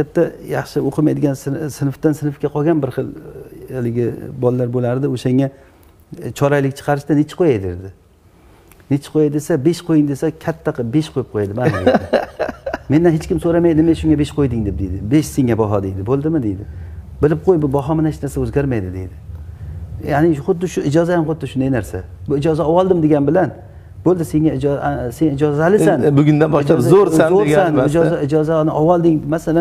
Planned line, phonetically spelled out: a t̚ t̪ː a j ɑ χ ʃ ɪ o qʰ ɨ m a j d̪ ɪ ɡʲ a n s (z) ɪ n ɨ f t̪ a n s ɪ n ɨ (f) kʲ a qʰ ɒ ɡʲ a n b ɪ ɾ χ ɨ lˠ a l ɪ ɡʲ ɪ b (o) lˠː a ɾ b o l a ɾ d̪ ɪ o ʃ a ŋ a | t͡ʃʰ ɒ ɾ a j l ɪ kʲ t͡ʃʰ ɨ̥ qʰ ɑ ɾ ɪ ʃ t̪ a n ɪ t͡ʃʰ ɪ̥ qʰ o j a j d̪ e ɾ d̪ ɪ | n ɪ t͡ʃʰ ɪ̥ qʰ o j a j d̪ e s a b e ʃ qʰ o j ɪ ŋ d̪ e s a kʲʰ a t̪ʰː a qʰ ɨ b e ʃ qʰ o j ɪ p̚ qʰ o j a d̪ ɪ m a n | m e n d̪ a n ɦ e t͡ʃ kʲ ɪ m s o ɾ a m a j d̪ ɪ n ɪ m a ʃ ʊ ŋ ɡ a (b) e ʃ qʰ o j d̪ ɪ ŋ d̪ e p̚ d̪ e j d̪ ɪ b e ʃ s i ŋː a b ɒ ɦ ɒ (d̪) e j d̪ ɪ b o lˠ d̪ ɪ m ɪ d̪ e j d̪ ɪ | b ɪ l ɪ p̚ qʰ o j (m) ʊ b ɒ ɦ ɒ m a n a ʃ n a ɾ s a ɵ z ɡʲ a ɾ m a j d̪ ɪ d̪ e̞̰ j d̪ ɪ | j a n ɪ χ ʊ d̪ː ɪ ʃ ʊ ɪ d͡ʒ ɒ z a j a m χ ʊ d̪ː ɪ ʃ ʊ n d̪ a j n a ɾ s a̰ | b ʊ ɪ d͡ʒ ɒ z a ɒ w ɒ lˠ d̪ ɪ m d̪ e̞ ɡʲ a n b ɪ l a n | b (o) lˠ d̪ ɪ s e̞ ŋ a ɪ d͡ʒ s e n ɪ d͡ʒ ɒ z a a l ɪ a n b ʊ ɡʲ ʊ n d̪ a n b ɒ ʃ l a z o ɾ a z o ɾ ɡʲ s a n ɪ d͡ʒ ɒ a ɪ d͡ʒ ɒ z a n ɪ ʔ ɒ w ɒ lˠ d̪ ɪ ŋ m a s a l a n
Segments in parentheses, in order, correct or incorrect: incorrect: s, correct, incorrect: ɒ, correct, correct, incorrect: b, correct

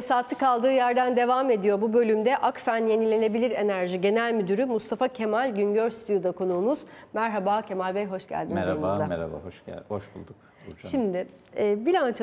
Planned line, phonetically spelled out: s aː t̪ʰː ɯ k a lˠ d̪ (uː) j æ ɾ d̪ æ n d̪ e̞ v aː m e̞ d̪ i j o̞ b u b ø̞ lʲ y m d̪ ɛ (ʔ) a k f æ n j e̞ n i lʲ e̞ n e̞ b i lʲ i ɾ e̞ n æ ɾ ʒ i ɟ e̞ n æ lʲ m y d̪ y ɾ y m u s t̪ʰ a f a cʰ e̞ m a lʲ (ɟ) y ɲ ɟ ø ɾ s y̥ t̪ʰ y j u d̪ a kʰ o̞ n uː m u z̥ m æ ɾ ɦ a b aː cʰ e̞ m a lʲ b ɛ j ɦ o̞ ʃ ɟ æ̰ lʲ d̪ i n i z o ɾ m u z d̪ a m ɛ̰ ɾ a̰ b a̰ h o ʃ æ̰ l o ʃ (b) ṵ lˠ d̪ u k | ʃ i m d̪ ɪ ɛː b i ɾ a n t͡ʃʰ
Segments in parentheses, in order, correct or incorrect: incorrect: ɯː, correct, correct, correct

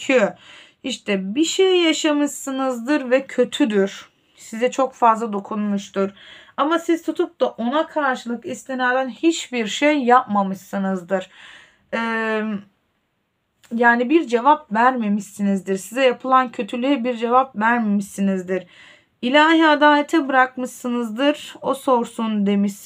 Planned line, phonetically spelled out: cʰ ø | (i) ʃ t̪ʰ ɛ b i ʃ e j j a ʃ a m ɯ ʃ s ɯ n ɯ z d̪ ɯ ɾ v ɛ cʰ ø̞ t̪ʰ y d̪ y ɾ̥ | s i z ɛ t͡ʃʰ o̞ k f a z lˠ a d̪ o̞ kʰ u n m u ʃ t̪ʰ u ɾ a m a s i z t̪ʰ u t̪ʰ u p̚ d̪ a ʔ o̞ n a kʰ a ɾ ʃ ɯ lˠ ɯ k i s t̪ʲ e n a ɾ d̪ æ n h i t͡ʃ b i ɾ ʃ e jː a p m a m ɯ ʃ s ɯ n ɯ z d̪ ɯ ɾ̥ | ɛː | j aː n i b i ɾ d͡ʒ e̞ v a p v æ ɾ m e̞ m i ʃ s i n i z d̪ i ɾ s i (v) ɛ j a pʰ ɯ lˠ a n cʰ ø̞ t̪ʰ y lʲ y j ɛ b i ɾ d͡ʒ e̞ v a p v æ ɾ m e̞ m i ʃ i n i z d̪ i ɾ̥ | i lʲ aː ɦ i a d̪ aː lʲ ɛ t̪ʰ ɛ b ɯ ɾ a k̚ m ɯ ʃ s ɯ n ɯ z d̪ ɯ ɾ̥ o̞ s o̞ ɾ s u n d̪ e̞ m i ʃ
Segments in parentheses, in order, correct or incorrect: correct, incorrect: z

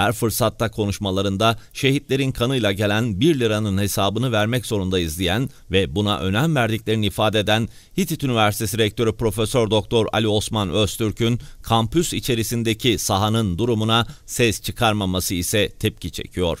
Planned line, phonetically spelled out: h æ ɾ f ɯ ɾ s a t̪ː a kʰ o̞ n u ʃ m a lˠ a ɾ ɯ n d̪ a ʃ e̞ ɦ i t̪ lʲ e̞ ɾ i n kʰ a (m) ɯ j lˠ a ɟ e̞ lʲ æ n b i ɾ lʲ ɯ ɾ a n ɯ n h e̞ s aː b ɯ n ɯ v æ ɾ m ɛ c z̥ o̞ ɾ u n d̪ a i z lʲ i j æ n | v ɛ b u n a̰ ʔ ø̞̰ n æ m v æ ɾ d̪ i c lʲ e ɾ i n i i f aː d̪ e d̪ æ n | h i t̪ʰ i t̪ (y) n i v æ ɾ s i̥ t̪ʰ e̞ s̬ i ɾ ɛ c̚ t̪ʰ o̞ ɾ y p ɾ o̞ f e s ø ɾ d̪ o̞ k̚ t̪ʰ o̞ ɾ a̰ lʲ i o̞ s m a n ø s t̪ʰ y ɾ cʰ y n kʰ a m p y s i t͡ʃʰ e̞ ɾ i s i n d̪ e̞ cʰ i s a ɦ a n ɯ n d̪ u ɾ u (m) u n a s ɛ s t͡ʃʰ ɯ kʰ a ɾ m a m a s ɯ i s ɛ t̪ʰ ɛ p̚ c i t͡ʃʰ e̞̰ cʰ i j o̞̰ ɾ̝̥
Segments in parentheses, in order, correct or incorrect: incorrect: n, correct, correct

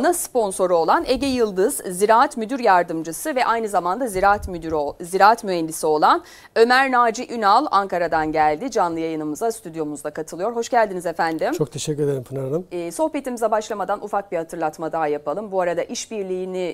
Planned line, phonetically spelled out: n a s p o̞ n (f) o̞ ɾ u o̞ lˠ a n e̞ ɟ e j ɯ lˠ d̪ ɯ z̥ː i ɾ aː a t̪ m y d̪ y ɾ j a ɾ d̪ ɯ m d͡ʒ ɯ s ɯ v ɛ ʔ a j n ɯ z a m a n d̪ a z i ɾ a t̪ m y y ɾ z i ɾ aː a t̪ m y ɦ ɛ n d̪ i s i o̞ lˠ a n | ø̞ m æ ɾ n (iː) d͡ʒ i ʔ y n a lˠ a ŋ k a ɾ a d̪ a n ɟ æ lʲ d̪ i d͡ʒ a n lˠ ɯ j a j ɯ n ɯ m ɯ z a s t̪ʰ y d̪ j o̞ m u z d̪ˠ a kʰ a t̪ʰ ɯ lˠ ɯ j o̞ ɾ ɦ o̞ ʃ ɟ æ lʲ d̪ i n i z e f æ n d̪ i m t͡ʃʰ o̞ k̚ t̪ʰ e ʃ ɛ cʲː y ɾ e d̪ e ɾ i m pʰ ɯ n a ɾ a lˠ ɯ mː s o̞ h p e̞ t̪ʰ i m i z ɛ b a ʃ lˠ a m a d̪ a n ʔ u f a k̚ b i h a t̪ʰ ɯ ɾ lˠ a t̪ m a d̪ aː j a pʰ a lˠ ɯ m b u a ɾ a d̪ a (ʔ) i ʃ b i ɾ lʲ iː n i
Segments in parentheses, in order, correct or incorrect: incorrect: s, incorrect: aː, correct

